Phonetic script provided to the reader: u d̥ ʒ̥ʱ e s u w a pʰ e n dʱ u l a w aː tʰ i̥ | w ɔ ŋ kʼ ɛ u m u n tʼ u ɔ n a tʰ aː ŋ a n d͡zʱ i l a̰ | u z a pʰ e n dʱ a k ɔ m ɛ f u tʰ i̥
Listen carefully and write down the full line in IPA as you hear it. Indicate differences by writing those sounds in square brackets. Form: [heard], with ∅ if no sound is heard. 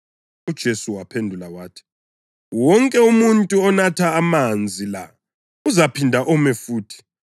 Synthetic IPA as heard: u d̥ ʒ̥ʱ e s u w a pʰ e n dʱ u l a w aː tʰ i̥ | w ɔ ŋ kʼ ɛ u m u n tʼ u ɔ n a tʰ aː [m] a n d͡zʱ i l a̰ | u z a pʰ [i] n dʱ a [ʔ] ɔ m ɛ f [uː] tʰ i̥